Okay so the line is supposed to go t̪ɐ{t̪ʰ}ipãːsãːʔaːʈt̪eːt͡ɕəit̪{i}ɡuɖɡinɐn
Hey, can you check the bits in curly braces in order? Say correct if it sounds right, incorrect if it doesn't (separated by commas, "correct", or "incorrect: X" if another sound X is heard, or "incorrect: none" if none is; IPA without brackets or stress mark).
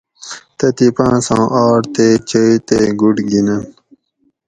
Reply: incorrect: t̪, incorrect: e